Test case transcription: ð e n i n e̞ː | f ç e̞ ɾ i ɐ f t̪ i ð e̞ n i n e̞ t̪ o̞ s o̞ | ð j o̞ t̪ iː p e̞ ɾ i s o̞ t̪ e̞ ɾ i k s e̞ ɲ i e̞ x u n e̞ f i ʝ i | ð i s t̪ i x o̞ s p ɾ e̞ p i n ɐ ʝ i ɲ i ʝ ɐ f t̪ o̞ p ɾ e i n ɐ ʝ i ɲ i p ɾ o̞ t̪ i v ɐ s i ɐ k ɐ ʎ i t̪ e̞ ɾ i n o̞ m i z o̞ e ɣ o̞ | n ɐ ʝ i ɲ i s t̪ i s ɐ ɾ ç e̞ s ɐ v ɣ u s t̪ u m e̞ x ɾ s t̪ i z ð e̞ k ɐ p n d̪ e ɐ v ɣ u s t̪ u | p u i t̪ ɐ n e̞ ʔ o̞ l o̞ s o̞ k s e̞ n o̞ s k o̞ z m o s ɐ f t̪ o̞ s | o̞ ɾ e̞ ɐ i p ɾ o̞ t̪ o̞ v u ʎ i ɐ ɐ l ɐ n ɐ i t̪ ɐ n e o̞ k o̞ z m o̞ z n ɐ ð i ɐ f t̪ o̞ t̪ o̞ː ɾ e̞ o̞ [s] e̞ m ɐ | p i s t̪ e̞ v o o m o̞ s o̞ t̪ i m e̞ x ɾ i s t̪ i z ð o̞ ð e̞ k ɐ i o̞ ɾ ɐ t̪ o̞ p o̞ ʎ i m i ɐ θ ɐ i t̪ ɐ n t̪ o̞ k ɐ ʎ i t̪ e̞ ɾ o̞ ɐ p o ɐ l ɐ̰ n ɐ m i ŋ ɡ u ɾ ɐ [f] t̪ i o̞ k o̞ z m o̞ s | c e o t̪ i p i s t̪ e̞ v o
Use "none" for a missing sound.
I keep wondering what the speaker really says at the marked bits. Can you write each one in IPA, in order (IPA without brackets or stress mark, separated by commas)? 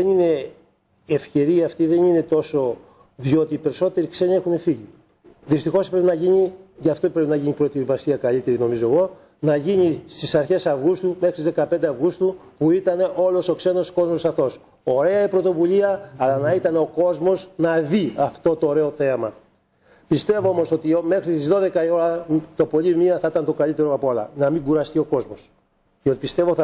θ, s